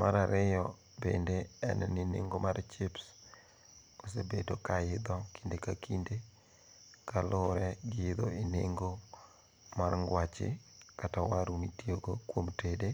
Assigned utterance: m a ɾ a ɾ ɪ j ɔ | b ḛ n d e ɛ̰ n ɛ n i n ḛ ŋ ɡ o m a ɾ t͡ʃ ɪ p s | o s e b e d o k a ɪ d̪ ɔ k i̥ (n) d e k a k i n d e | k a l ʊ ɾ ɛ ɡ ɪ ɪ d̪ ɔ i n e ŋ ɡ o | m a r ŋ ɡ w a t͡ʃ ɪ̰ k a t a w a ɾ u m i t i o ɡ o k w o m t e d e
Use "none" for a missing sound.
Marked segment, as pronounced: n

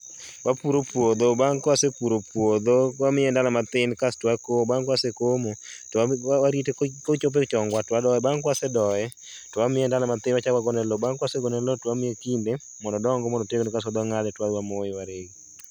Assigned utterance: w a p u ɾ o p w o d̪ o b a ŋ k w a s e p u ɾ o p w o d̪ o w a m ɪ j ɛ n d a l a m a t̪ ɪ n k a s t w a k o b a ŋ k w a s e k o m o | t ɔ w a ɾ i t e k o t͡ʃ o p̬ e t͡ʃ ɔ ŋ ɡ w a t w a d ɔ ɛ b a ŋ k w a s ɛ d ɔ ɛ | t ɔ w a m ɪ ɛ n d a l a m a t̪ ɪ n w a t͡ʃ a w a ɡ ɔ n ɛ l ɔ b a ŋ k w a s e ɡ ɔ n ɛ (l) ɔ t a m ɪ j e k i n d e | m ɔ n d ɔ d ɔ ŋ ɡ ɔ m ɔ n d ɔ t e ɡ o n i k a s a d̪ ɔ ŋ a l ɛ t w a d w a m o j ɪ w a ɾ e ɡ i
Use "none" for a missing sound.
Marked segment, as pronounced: l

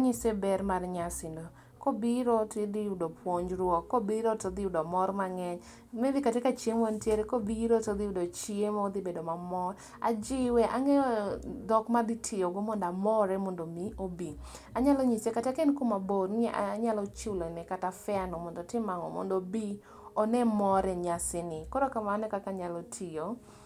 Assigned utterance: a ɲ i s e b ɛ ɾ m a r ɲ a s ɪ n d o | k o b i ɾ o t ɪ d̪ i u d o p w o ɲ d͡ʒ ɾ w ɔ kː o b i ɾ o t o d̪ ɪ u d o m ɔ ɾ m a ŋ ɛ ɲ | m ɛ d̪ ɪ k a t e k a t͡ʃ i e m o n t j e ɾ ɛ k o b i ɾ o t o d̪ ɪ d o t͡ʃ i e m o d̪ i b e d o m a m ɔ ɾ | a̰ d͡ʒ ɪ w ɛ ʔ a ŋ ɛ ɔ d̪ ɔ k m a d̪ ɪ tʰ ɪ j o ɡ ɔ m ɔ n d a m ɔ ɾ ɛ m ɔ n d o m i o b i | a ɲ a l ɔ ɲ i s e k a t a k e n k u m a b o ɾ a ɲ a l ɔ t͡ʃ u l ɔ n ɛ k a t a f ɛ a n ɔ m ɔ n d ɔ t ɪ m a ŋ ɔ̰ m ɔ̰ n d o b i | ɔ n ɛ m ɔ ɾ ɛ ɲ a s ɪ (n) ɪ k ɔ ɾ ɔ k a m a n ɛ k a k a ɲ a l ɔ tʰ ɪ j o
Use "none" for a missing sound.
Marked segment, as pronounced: n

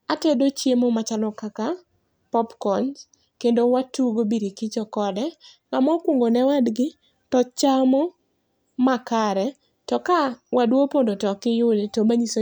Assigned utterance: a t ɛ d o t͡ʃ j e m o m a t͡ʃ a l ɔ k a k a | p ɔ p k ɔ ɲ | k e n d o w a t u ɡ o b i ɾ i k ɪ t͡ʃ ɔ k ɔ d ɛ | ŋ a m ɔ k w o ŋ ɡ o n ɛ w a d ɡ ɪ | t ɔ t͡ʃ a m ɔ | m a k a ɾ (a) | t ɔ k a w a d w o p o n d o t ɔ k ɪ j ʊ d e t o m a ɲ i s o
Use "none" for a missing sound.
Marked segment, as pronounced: ɛ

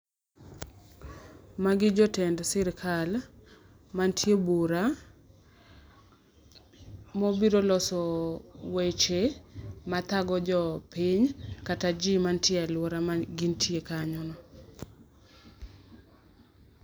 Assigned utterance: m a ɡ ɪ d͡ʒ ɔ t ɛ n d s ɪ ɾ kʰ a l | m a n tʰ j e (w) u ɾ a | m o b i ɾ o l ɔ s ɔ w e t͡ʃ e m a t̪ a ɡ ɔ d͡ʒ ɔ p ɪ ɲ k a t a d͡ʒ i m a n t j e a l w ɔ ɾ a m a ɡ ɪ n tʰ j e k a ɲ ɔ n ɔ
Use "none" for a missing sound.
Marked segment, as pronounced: b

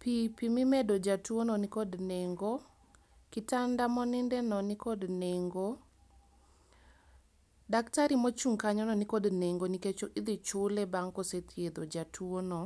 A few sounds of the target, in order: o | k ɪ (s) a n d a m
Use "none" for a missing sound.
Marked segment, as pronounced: t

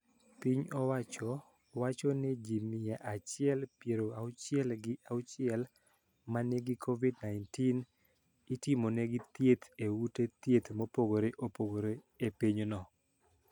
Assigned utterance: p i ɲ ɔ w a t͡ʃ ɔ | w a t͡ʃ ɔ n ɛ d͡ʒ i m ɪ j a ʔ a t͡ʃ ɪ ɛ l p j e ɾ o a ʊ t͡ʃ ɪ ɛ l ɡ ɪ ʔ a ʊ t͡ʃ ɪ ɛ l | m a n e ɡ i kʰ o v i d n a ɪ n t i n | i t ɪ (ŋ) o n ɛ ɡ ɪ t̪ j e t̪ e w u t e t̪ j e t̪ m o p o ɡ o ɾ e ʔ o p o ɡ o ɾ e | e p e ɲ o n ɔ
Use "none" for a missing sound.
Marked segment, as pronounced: m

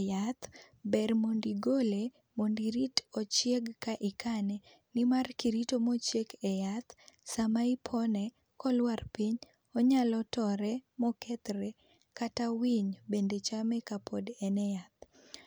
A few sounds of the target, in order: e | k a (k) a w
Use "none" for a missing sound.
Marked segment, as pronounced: t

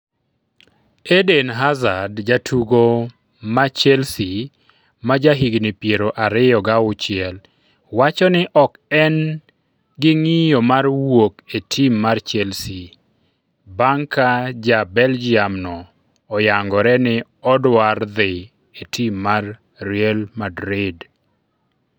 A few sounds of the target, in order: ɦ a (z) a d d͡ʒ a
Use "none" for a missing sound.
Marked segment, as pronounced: z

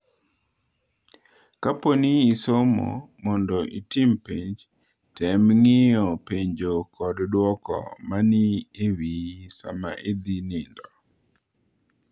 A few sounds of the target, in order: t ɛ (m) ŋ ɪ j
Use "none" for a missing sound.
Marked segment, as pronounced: m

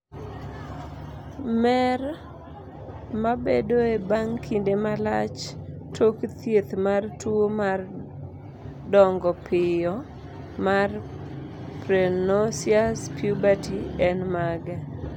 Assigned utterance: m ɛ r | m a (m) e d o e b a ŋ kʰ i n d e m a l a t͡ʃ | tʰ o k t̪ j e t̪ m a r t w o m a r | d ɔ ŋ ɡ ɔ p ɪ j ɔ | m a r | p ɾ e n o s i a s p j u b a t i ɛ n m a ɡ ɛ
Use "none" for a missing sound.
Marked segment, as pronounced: b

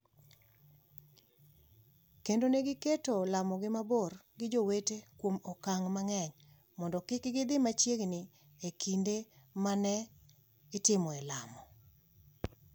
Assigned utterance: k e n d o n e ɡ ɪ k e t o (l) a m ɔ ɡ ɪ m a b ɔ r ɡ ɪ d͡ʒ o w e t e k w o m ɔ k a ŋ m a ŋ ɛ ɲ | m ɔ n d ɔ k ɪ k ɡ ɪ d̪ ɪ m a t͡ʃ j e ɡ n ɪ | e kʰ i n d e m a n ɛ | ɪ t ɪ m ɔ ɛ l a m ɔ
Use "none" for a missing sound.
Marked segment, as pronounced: l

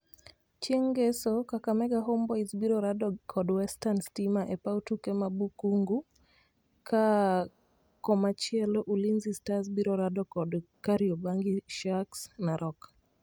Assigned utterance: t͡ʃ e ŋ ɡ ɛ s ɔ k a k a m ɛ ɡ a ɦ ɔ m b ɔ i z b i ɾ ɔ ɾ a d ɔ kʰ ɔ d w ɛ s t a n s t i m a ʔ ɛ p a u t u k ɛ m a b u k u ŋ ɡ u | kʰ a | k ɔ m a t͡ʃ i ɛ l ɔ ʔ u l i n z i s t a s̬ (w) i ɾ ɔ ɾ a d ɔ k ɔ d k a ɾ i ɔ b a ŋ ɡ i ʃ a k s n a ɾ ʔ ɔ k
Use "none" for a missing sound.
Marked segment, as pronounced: b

